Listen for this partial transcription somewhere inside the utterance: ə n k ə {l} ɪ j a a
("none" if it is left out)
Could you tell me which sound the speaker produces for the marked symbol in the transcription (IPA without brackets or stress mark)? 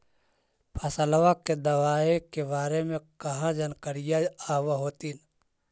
ɾ